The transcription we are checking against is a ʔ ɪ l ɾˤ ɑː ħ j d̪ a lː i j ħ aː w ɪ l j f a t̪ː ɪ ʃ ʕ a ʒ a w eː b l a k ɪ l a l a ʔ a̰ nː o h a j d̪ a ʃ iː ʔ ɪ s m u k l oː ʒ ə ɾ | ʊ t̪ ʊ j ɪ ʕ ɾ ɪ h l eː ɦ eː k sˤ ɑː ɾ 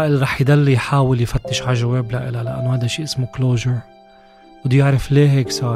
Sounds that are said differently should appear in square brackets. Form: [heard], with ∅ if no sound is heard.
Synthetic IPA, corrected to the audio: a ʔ ɪ l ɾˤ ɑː ħ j d̪ a lː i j ħ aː w ɪ l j f a t̪ː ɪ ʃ ʕ a ʒ a w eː b l a [ʔ] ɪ l a l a ʔ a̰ nː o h a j d̪ a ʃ iː ʔ ɪ s m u k l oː ʒ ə ɾ | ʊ [d̪] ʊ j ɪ ʕ ɾ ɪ [f] l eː ɦ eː k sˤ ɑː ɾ